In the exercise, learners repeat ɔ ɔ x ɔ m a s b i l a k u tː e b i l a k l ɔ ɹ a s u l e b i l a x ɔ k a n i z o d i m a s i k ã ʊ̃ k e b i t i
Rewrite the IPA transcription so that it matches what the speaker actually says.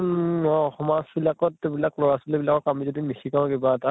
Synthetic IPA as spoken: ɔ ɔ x ɔ m a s b i l a k ɔ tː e b i l a k l ɔ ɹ a s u l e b i l a k ɔ k a m i z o d i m i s i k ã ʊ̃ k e b a t a